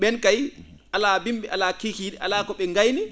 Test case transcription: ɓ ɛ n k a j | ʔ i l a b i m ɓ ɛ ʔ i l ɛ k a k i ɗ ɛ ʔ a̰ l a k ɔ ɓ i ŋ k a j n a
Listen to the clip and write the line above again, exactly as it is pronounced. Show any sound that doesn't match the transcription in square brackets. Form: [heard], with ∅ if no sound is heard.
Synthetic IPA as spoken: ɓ ɛ n k a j | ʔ [a] l a b i m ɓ ɛ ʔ [a] l [a] k [i] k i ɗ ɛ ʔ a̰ l a k ɔ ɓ [ɛ] ŋ [ɡ] a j n [i]